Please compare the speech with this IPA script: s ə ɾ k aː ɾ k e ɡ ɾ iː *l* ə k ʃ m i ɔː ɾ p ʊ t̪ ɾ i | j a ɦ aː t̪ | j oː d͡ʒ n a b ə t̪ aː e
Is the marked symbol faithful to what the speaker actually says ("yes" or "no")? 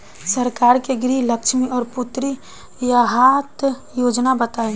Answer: yes